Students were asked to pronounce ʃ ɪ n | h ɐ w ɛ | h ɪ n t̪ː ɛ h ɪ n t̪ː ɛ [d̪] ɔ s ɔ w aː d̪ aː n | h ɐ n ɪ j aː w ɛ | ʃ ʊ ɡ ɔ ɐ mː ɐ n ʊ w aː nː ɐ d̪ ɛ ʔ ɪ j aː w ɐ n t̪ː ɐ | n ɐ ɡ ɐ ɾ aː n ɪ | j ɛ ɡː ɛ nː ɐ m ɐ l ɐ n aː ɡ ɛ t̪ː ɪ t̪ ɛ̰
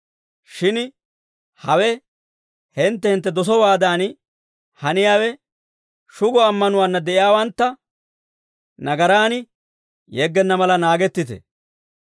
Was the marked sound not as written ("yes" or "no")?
no